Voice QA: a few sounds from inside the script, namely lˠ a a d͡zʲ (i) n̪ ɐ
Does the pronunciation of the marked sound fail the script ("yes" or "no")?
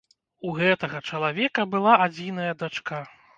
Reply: no